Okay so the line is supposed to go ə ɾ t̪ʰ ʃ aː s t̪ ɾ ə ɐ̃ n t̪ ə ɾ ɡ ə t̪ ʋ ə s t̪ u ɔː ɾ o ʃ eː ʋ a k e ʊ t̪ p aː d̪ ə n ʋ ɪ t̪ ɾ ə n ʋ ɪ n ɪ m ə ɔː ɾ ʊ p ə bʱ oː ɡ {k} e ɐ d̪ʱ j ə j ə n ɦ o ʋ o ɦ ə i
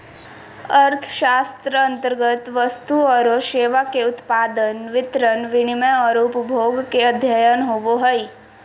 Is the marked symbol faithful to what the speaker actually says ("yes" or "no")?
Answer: yes